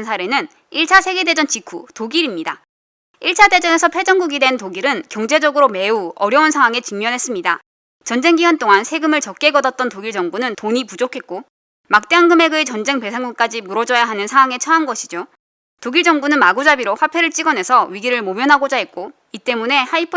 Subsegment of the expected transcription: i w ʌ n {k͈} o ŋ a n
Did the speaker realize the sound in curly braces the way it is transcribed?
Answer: no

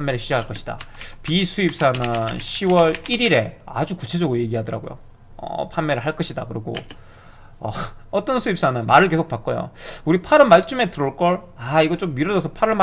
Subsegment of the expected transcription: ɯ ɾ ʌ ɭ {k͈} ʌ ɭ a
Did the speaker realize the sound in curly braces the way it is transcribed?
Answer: yes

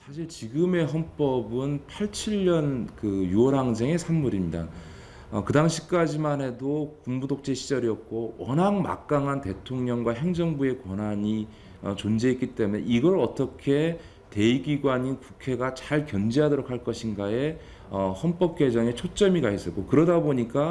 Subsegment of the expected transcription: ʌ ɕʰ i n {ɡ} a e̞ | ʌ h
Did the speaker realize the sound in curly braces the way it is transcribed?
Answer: yes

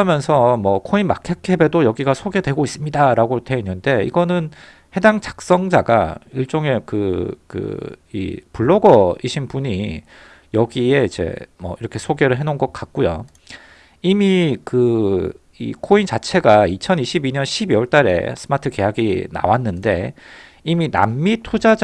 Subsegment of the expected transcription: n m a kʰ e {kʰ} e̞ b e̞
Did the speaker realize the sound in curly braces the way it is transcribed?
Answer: yes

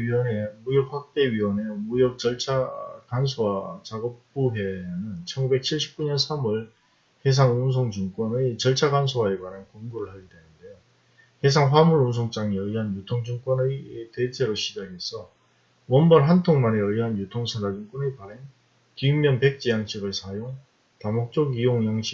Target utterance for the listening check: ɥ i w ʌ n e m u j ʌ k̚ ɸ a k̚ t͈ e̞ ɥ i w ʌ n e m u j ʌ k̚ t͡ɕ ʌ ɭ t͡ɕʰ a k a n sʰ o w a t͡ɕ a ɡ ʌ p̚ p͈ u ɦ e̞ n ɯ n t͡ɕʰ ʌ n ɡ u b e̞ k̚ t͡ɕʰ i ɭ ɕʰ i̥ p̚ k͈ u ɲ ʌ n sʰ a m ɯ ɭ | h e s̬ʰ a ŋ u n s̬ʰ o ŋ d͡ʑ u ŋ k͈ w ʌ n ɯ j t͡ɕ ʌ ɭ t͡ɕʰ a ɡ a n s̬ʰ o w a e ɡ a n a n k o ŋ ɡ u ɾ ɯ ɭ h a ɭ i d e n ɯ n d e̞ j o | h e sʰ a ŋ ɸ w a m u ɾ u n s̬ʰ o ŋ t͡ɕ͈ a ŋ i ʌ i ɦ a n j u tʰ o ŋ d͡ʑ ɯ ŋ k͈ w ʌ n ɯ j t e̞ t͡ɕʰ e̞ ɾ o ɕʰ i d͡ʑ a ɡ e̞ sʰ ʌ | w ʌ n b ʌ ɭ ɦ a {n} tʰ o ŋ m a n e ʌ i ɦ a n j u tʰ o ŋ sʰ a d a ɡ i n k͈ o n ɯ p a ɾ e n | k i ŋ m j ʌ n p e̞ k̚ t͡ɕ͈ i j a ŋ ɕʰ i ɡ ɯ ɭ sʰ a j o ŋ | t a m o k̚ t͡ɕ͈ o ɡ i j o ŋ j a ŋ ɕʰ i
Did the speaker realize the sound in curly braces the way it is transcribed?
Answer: yes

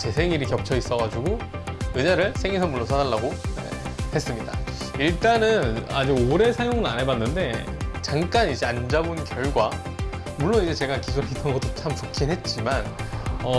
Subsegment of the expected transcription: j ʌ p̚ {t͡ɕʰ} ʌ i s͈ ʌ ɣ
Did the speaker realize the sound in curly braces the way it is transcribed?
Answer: yes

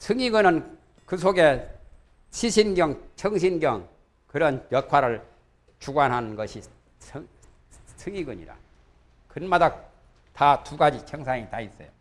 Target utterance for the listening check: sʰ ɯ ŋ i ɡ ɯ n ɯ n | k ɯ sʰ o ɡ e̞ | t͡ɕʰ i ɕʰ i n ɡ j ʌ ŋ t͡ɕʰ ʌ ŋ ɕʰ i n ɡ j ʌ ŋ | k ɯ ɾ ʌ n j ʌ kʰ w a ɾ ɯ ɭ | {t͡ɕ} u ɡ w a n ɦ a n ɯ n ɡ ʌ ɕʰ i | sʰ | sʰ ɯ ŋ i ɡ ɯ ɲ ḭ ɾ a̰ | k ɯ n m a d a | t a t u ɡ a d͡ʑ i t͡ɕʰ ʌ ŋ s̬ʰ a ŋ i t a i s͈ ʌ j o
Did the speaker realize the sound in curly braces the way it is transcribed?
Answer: yes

